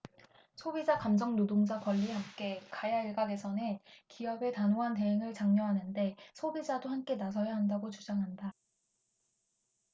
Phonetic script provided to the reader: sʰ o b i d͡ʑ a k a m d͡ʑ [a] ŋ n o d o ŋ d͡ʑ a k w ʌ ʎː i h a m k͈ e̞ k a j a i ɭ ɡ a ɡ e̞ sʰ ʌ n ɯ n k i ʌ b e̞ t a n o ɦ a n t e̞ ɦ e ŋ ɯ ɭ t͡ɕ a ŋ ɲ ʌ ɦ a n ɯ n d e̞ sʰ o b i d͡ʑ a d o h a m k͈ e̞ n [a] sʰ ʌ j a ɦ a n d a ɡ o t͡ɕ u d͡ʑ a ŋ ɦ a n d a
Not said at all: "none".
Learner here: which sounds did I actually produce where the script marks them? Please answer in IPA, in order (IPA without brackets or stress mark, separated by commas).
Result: ʌ, a